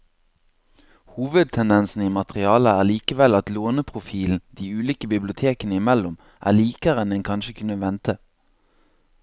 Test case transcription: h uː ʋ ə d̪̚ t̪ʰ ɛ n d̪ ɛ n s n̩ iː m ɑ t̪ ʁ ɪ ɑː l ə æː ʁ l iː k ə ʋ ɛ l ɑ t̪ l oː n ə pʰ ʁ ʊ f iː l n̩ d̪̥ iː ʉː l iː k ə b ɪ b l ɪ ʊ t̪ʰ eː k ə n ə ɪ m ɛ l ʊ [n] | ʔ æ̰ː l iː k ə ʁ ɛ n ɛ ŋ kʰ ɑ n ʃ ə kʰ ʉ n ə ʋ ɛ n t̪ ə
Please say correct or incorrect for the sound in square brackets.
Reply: incorrect